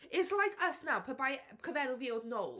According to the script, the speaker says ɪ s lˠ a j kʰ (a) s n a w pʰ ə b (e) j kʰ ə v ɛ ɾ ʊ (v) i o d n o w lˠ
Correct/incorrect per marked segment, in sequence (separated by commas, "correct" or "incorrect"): incorrect, incorrect, correct